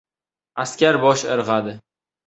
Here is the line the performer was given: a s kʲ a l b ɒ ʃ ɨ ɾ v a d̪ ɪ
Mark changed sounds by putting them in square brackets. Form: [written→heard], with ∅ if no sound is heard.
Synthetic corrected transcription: a s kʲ a [l→ɾ] b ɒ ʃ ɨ ɾ [v→ʁ] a d̪ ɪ